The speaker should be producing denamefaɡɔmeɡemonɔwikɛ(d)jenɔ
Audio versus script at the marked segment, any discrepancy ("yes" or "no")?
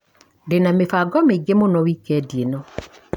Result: no